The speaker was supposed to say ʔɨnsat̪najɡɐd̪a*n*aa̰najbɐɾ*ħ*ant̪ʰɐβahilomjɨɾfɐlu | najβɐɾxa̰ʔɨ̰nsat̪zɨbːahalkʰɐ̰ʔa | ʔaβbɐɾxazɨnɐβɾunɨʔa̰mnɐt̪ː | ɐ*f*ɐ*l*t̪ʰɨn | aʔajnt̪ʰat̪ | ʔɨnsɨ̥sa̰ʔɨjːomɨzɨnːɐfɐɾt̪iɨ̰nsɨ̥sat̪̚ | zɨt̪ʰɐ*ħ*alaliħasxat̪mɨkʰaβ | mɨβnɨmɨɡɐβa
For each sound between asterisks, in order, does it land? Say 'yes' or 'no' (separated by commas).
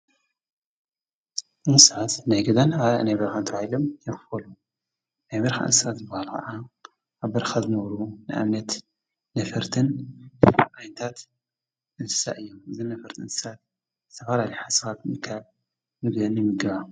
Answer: yes, no, yes, no, no